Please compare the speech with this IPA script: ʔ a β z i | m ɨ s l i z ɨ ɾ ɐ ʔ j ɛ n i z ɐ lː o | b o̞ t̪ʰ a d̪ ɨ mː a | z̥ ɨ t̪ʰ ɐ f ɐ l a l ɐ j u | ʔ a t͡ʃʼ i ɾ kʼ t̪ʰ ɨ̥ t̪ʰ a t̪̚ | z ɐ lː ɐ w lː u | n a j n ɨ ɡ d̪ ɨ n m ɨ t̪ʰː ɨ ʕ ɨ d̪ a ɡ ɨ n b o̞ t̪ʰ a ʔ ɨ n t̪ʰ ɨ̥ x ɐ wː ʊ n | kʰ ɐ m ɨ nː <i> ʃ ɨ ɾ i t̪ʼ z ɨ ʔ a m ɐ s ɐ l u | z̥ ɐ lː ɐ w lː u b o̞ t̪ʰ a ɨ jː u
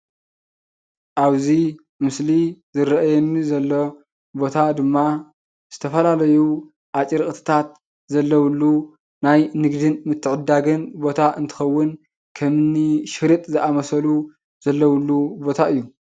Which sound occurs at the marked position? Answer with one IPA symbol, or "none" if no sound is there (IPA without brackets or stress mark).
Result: i